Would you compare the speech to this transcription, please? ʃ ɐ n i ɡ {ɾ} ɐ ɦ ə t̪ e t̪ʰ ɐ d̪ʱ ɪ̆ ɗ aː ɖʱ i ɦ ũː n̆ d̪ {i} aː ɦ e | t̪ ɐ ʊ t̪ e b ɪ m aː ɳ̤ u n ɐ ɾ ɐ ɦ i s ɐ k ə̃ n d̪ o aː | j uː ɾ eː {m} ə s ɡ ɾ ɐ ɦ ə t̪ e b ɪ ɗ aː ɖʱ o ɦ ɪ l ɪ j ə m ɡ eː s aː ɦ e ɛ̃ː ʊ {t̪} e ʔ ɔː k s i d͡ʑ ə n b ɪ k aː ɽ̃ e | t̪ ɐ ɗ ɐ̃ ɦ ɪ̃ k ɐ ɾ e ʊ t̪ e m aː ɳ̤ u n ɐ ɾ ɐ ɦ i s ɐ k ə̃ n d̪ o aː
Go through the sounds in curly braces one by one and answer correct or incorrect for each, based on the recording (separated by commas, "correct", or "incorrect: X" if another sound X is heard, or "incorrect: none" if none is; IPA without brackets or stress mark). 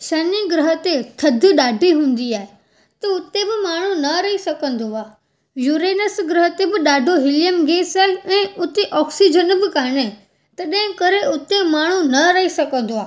correct, correct, incorrect: n, correct